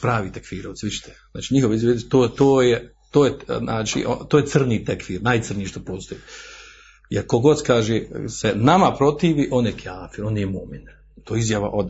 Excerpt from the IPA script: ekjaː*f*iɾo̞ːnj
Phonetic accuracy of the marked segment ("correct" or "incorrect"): correct